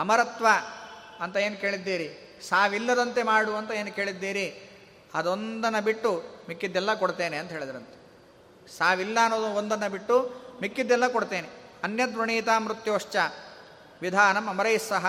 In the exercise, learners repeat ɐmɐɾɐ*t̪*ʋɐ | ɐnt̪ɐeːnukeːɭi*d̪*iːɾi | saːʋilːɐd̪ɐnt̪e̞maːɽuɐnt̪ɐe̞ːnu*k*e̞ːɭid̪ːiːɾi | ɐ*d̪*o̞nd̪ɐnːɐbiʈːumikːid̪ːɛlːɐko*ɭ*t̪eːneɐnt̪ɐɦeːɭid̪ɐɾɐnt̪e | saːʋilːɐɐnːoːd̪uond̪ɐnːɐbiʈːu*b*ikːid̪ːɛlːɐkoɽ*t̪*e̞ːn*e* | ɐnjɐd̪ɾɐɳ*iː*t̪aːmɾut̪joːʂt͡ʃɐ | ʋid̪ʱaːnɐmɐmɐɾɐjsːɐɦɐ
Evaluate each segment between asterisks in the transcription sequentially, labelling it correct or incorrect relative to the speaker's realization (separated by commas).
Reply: correct, incorrect, correct, correct, incorrect, incorrect, correct, correct, correct